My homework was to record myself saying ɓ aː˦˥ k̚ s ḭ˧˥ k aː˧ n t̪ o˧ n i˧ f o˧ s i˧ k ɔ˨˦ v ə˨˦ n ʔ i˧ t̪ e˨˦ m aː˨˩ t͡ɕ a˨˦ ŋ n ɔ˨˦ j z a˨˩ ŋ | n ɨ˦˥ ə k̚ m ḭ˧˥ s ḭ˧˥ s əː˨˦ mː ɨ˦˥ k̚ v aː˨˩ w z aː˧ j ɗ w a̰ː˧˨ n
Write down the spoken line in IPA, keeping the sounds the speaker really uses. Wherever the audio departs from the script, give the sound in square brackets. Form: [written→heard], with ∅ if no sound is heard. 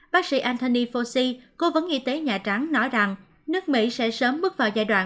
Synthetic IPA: ɓ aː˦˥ k̚ s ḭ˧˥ [k→ʔ] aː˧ n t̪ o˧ n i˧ f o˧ s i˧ k [ɔ˨˦→o˨˦] v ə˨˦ n ʔ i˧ t̪ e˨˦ [m→ɲ] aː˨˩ t͡ɕ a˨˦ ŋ n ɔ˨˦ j z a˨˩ ŋ | n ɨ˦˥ ə k̚ m ḭ˧˥ s [ḭ˧˥→ɛ̰˧˥] s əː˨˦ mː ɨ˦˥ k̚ v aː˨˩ w z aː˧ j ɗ w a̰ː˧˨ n